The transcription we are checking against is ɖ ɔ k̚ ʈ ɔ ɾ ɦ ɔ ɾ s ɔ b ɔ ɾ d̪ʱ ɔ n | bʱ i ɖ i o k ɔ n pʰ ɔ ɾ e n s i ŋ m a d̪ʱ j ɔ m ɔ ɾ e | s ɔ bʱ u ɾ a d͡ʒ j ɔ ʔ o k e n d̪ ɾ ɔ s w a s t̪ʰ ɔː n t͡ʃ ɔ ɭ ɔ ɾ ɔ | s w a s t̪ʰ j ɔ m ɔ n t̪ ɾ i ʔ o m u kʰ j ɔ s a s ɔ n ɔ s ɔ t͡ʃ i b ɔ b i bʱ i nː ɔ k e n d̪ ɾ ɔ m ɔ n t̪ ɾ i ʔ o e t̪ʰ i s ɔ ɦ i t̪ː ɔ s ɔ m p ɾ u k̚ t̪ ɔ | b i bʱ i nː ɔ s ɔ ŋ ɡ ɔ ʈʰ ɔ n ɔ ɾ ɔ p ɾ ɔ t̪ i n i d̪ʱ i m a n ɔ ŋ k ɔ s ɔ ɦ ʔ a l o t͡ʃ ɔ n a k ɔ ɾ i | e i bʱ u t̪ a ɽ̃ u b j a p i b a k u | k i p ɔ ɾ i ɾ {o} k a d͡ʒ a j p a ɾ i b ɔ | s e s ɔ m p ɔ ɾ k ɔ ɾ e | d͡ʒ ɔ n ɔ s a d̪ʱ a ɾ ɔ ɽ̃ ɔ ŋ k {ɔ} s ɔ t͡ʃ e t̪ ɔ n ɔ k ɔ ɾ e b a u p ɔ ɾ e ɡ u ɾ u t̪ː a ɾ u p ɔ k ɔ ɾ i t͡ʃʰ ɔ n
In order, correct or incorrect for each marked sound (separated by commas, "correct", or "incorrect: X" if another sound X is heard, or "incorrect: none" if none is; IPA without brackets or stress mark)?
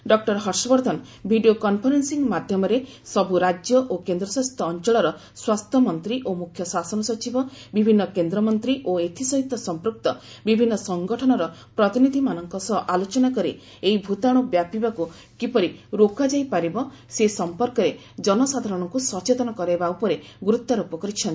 correct, incorrect: u